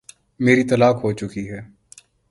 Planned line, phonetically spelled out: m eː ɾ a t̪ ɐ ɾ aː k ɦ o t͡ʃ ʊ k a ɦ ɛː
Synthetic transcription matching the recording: m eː ɾ i t̪ ɐ l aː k ɦ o t͡ʃ ʊ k i ɦ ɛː